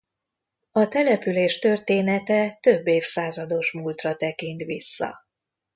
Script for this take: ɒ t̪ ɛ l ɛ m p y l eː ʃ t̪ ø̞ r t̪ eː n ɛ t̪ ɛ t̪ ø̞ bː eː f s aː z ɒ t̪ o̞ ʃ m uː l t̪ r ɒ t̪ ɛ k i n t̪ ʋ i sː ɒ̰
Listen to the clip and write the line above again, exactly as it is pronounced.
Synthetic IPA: ɒ t̪ ɛ l ɛ p y l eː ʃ t̪ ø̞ r t̪ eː n ɛ t̪ ɛ t̪ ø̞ bː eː f s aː z ɒ d̪ o̞ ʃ m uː l t̪ r ɒ t̪ ɛ k i n t̪ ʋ i sː ɒ̰